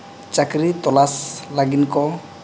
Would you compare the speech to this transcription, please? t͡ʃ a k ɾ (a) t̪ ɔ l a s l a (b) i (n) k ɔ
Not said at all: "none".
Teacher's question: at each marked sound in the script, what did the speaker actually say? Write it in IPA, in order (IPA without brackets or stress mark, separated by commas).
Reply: i, ɡ, n